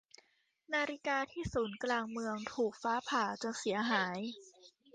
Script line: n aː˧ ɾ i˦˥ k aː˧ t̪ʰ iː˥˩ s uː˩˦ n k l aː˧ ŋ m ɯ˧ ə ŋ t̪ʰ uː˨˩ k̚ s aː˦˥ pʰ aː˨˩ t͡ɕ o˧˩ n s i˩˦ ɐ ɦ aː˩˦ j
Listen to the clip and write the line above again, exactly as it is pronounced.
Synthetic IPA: n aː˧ ɾ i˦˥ k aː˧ t̪ʰ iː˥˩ s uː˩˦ n k l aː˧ ŋ m ɯ˧ ə ŋ t̪ʰ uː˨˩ k̚ f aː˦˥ pʰ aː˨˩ t͡ɕ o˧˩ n s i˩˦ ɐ ɦ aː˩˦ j